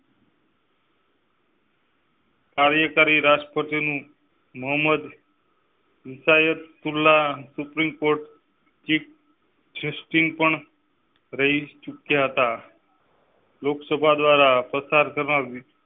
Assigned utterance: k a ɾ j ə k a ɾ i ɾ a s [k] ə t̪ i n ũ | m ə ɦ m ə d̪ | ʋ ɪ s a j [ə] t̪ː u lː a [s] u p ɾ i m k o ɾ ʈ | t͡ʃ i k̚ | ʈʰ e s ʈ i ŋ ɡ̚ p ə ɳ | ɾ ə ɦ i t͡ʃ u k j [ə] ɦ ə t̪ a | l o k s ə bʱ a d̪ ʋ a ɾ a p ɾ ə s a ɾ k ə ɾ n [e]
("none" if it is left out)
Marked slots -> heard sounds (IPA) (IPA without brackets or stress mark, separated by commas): p, ə, s, a, a